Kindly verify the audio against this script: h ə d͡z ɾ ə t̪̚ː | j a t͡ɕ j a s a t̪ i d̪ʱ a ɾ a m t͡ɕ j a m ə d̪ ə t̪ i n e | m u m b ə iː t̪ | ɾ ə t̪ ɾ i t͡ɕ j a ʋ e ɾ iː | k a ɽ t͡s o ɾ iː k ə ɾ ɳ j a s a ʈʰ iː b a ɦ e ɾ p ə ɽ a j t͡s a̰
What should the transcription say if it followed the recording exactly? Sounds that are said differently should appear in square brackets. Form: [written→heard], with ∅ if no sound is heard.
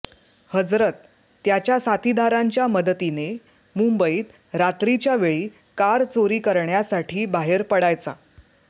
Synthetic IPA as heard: h ə d͡z ɾ ə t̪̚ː | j a t͡ɕ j a s a t̪ i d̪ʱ a ɾ a [m→ɲ] t͡ɕ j a m ə d̪ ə t̪ i n e | m u m b ə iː t̪ | ɾ [ə→a] t̪ ɾ i t͡ɕ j a ʋ e [ɾ→ɭ] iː | k a [ɽ→ɾ] t͡s o ɾ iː k ə ɾ ɳ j a s a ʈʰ iː b a ɦ e ɾ p ə ɽ a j t͡s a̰

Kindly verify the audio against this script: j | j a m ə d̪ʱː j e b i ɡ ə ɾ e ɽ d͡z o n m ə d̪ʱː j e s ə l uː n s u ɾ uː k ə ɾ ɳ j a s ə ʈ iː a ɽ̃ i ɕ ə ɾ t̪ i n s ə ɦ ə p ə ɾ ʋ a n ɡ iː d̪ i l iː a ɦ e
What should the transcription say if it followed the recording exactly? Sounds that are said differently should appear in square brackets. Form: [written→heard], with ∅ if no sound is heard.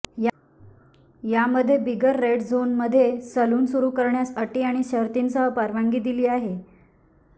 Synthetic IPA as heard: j | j a m ə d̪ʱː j e b i ɡ ə [ɾ→ɾː] e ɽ d͡z o n m ə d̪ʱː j e s ə l uː n s u ɾ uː k ə ɾ ɳ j a s ə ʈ iː a ɽ̃ i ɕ ə ɾ t̪ i n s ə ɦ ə p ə ɾ ʋ a [n→ŋ] ɡ iː d̪ i l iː a ɦ e

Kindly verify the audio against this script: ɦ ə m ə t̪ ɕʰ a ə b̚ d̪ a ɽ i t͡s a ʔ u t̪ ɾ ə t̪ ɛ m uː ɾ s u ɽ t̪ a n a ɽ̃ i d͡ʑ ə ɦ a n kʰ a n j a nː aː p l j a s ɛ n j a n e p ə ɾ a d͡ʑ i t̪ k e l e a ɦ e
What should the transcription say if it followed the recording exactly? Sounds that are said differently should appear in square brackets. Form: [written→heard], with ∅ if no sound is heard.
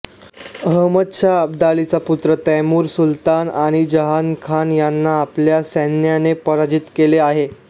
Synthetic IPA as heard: ɦ ə m ə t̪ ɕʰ a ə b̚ d̪ a [ɽ→l] i t͡s a [ʔ→p] u t̪ ɾ ə t̪ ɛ m uː ɾ s u [ɽ→l] t̪ a n a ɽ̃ i d͡ʑ ə ɦ a n kʰ a n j a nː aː p l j a s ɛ n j a n e p ə ɾ a d͡ʑ i t̪ k e l e a ɦ e

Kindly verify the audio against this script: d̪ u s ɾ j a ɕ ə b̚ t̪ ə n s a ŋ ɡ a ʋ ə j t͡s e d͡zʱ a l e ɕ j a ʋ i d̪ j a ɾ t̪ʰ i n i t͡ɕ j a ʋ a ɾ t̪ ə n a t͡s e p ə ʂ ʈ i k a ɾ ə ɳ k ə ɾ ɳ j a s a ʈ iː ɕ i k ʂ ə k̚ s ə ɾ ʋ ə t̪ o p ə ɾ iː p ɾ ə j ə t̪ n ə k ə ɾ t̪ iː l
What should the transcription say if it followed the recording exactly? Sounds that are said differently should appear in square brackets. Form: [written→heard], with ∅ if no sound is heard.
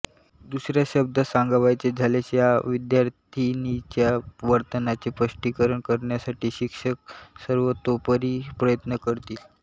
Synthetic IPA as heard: d̪ u s ɾ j a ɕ ə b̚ [t̪→d̪] ə [n→∅] s a ŋ ɡ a ʋ [ə→a] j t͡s e d͡zʱ a l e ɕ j a ʋ i d̪ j a ɾ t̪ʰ i n i t͡ɕ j a ʋ [a→ə] ɾ t̪ ə n a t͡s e p ə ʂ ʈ i k [a→ə] ɾ ə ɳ k ə ɾ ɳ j a s a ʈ iː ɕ i k ʂ ə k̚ s ə ɾ ʋ ə t̪ o p ə ɾ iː p ɾ ə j ə t̪ n ə k ə ɾ t̪ iː l

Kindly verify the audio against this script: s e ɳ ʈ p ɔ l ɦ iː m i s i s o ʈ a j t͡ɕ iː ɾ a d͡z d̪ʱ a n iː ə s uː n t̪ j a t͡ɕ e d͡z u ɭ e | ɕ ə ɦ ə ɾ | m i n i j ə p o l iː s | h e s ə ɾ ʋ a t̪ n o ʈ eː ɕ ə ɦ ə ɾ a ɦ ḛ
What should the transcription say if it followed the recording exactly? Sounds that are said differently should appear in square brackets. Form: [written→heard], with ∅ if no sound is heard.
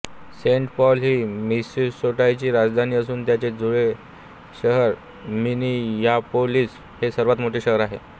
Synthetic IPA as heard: s e ɳ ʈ p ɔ l ɦ iː m i s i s o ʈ a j t͡ɕ iː ɾ a d͡z d̪ʱ a n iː ə s uː n t̪ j a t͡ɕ e d͡z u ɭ e | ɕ ə ɦ ə ɾ | m i n i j [ə→a] p o l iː s | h e s ə ɾ ʋ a t̪ [n→m] o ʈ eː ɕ ə ɦ ə ɾ a ɦ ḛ

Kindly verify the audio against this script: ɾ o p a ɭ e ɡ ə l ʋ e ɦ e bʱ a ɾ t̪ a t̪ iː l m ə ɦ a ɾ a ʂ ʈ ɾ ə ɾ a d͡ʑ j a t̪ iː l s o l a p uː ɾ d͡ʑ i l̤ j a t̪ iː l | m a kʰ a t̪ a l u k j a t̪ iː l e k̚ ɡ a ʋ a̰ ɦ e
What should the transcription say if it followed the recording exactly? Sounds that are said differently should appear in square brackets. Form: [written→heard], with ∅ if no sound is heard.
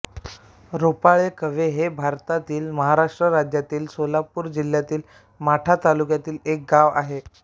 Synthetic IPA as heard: ɾ o p a ɭ e [ɡ→k] ə [l→∅] ʋ e ɦ e bʱ a ɾ t̪ a t̪ iː l m ə ɦ a ɾ a ʂ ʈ ɾ ə ɾ a d͡ʑ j a t̪ iː l s o l a p uː ɾ d͡ʑ i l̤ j a t̪ iː l | m a [kʰ→ʈʰ] a t̪ a l u k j a t̪ iː l e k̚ ɡ a ʋ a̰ ɦ e

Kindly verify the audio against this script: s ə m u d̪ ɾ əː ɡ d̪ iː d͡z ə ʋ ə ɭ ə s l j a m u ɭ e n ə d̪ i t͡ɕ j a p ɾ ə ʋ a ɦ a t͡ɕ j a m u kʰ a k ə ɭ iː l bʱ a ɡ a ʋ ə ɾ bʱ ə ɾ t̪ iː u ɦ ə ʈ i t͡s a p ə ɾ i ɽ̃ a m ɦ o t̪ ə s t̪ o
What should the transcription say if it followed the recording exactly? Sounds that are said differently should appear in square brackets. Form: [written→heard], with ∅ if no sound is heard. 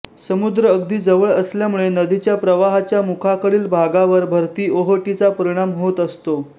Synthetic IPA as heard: s ə m u d̪ ɾ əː ɡ d̪ iː d͡z ə ʋ ə ɭ ə s l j a m u ɭ e n ə d̪ i t͡ɕ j a p ɾ ə ʋ a ɦ a t͡ɕ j a m u kʰ a k ə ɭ iː l bʱ a ɡ a ʋ ə ɾ bʱ ə ɾ t̪ iː [u→o] ɦ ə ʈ i t͡s a p ə ɾ i ɽ̃ a m ɦ o t̪ ə s t̪ o

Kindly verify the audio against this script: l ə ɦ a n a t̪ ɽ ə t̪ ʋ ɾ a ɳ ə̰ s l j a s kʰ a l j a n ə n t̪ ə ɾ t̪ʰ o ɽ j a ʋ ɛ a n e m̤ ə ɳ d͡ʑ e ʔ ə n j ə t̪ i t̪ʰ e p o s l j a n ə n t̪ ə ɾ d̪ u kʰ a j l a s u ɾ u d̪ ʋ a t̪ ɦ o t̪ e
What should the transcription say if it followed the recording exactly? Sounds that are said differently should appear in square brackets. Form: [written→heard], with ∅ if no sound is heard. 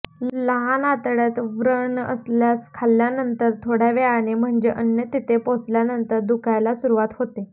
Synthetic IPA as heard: l ə ɦ a n a t̪ ɽ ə t̪ ʋ ɾ [a→ə] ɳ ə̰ s l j a s kʰ a l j a n ə n t̪ ə ɾ t̪ʰ o ɽ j a ʋ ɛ a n e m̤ ə ɳ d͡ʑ e ʔ ə n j ə t̪ i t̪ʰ e p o [s→t͡s] l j a n ə n t̪ ə ɾ d̪ u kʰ a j l a s u ɾ u [d̪→∅] ʋ a t̪ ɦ o t̪ e

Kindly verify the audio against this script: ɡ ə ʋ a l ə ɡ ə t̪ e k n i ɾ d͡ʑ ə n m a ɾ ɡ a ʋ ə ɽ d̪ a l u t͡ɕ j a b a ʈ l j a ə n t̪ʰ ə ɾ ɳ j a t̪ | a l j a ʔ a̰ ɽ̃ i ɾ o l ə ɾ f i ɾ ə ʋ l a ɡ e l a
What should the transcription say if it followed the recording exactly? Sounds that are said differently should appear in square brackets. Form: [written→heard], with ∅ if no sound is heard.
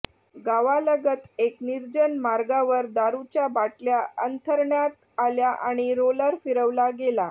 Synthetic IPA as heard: ɡ [ə→a] ʋ a l ə ɡ ə t̪ e k n i ɾ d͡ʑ ə n m a ɾ ɡ a ʋ ə [ɽ→ɾ] d̪ a [l→ɾ] u t͡ɕ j a b a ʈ l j a ə n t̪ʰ ə ɾ ɳ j a t̪ | a l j a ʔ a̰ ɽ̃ i ɾ o l ə ɾ f i ɾ ə ʋ l a ɡ e l a

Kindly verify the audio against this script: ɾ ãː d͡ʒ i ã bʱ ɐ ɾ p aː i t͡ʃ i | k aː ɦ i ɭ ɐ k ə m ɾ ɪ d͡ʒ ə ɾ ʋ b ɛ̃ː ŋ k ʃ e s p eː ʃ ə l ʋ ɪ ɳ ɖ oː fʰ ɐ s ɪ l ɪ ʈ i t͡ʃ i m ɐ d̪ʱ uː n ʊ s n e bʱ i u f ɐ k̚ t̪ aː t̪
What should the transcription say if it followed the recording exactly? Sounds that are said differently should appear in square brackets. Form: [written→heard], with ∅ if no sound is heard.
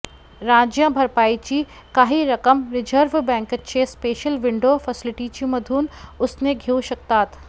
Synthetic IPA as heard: ɾ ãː d͡ʒ [i→j] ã bʱ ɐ ɾ p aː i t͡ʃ i | k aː ɦ i [ɭ→ɾ] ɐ k ə m ɾ ɪ d͡ʒ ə ɾ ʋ b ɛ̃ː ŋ k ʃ e s p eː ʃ ə l ʋ ɪ ɳ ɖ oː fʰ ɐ s ɪ l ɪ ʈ i t͡ʃ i m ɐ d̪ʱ uː n ʊ s n e [bʱ→ɡʱ] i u [f→ʃ] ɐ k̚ t̪ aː t̪

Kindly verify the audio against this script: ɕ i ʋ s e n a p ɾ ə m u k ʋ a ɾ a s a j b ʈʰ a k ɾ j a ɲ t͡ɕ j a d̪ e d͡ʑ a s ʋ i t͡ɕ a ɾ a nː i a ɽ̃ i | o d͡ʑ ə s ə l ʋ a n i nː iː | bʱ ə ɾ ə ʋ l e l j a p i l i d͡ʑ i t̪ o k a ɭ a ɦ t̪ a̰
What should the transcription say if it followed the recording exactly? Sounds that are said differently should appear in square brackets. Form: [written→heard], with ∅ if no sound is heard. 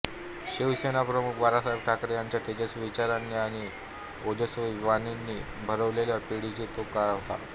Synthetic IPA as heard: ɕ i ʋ s e n a p ɾ ə m u k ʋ a ɾ a s a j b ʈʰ a k ɾ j a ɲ t͡ɕ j a [d̪→t̪] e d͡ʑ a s ʋ i t͡ɕ a ɾ a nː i a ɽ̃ i | o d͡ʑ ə s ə [l→∅] ʋ a n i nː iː | bʱ ə ɾ ə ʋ l e l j a p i [l→ɽ] i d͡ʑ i t̪ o k a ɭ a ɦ t̪ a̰

